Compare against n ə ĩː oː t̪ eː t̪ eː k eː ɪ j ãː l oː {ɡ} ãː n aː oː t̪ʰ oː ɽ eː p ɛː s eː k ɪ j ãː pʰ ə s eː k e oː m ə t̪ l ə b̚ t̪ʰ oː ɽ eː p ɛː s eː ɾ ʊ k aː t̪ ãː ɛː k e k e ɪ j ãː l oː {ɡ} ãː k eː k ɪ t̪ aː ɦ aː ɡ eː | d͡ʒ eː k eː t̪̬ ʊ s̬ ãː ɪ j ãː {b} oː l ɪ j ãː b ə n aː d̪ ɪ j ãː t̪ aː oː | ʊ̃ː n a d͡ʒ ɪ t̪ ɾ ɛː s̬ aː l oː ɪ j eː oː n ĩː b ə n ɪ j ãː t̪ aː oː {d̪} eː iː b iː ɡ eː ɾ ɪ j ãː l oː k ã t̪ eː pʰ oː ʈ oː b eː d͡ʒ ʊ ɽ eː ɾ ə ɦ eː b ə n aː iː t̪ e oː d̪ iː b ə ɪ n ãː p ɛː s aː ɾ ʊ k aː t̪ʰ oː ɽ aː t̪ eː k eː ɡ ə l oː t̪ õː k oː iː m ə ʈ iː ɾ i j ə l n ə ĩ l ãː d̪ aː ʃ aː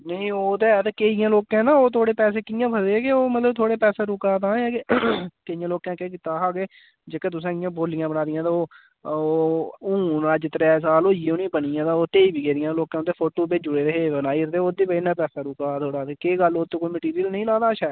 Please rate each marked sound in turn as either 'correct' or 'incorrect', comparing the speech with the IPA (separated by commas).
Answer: incorrect, incorrect, correct, incorrect